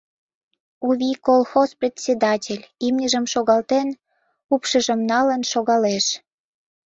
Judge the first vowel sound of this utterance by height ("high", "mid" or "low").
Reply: high